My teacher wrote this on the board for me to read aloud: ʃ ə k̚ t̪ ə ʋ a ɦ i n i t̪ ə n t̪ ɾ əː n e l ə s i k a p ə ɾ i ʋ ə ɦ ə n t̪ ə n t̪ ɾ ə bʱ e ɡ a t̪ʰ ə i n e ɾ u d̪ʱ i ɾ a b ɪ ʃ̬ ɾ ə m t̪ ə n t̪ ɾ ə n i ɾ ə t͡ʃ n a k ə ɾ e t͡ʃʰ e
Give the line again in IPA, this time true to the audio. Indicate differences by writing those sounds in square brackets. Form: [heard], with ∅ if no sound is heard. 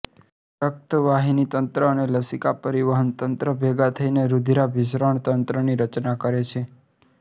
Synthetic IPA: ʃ ə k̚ t̪ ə ʋ a ɦ i n i t̪ ə n t̪ ɾ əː n e l ə s i k a p ə ɾ i ʋ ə ɦ ə n t̪ ə n t̪ ɾ ə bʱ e ɡ a t̪ʰ ə i n e ɾ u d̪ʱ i ɾ a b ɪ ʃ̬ ɾ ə [ɳ] t̪ ə n t̪ ɾ ə n i ɾ ə t͡ʃ n a k ə ɾ e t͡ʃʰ e

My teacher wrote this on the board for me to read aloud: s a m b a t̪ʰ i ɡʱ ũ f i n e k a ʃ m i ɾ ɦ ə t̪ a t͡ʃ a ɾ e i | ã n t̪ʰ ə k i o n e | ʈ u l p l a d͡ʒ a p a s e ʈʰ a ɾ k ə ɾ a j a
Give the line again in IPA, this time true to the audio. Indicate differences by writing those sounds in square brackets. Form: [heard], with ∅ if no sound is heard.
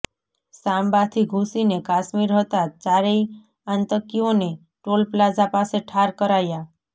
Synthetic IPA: s a m b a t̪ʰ i ɡʱ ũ [s] i n e k a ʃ m i ɾ ɦ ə t̪ a t͡ʃ a ɾ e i | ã n [t̪] ə k i o n e | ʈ [o] l p l a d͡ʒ a p a s e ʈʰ a ɾ k ə ɾ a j a

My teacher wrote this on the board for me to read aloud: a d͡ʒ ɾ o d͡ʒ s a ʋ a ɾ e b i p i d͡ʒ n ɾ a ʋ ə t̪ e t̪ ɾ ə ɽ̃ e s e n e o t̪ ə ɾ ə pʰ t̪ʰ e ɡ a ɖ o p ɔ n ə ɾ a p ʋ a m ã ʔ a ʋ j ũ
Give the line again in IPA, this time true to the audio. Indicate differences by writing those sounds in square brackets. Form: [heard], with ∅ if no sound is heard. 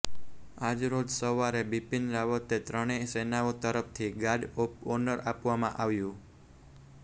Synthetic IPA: a d͡ʒ ɾ o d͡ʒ s [ə] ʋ a ɾ e b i p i [∅] n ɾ a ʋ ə t̪ e t̪ ɾ ə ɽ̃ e s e n [a] o t̪ ə ɾ ə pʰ t̪ʰ [i] ɡ a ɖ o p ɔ n ə ɾ a p ʋ a m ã ʔ a ʋ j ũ

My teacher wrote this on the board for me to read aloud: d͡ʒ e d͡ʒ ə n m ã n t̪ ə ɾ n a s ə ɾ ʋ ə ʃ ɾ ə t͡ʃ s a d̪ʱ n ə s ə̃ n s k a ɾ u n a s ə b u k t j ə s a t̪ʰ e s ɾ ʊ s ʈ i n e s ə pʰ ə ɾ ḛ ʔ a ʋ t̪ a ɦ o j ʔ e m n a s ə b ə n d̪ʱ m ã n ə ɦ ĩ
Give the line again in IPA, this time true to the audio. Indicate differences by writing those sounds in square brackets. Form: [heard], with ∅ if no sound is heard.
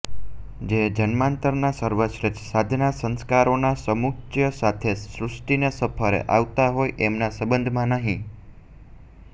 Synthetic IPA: d͡ʒ e d͡ʒ ə n m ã n t̪ ə ɾ n a s ə ɾ ʋ ə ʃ ɾ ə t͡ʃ s a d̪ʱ n [a] s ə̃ n s k a ɾ [o] n a s ə [m] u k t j ə s a t̪ʰ e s ɾ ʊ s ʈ i n e s ə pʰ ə ɾ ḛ ʔ a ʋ t̪ a ɦ o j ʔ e m n a s ə b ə n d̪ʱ m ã n ə ɦ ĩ

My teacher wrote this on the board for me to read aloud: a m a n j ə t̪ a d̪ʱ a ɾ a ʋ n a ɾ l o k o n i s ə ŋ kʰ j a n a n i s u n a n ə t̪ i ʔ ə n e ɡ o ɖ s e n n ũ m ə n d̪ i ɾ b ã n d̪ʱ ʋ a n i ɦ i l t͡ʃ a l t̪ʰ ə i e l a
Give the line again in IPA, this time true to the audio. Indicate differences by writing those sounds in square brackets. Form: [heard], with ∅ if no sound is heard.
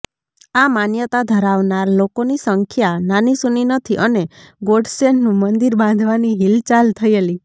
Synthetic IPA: a m a n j ə t̪ a d̪ʱ [ə] ɾ a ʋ n a ɾ l o k o n i s ə ŋ kʰ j a n a n i s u n [i] n ə [t̪ʰ] i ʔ ə n e ɡ o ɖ s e n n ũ m ə n d̪ i ɾ b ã n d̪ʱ ʋ a n i ɦ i l t͡ʃ a l t̪ʰ ə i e l [i]

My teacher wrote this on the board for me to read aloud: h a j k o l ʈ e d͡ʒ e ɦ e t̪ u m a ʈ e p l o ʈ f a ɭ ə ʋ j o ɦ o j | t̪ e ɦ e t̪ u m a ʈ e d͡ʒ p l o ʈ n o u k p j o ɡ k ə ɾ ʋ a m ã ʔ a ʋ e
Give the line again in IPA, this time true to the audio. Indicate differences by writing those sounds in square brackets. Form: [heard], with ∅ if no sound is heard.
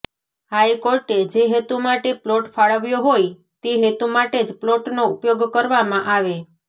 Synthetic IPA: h a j k o [ɾ] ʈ e d͡ʒ e ɦ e t̪ u m a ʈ e p l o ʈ f a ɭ ə ʋ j o ɦ o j | t̪ e ɦ e t̪ u m a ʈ e d͡ʒ p l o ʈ n o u [∅] p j o ɡ k ə ɾ ʋ a m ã ʔ a ʋ e

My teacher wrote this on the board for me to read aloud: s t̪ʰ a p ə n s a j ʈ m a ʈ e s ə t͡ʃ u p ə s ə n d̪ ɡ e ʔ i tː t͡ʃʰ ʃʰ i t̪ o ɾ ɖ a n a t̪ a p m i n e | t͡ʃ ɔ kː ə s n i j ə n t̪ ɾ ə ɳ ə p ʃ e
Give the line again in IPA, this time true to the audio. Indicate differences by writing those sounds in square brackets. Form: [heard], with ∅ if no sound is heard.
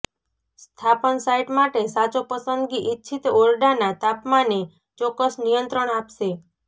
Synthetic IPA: s t̪ʰ a p ə n s a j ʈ m a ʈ e s [a] t͡ʃ [o] p ə s ə n d̪ ɡ [i] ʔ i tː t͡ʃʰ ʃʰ i t̪ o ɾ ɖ a n a t̪ a p m [a] n e | t͡ʃ ɔ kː ə s n i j ə n t̪ ɾ ə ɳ [a] p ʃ e

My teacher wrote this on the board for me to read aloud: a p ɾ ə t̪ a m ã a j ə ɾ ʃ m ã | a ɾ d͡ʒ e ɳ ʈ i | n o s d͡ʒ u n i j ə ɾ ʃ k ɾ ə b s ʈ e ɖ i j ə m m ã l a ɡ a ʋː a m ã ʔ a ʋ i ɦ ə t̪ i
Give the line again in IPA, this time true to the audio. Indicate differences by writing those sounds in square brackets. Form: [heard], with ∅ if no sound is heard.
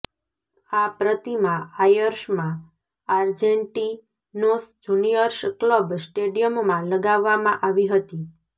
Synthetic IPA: a p ɾ ə t̪ [i] m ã a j ə ɾ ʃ m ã | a ɾ d͡ʒ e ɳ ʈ i | n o s d͡ʒ u n i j ə ɾ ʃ k [l] ə b s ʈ e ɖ i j ə m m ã l [ə] ɡ a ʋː a m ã ʔ a ʋ i ɦ ə t̪ i

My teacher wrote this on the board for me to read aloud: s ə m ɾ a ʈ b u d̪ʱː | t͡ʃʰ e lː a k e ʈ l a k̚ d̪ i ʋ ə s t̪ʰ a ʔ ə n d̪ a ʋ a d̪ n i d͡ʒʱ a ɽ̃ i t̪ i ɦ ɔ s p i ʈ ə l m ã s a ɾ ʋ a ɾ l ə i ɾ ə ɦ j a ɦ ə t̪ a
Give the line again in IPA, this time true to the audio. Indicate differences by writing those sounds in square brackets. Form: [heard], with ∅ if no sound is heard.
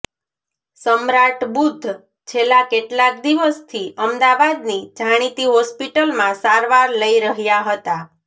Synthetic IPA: s ə m ɾ a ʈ b u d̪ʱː | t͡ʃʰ e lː a k e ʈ l a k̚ d̪ i ʋ ə s t̪ʰ [i] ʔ ə [m] d̪ a ʋ a d̪ n i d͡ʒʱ a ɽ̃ i t̪ i ɦ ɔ s p i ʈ ə l m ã s a ɾ ʋ a ɾ l ə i ɾ ə ɦ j a ɦ ə t̪ a

